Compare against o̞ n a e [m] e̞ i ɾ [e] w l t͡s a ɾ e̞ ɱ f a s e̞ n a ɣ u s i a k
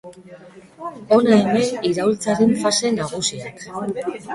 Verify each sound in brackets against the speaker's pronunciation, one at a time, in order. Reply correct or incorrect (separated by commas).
correct, incorrect